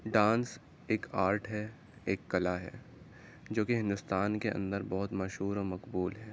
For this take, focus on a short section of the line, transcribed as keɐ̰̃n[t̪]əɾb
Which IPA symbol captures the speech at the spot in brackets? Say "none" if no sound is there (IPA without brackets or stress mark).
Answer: d̪